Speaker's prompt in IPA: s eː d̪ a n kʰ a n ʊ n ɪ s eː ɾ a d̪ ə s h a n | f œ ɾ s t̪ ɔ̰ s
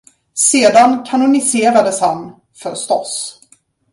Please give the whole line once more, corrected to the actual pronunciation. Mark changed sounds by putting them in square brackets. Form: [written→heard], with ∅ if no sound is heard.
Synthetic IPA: s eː d̪ a n kʰ a n ʊ n ɪ s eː ɾ a d̪ ə s h a n | f œ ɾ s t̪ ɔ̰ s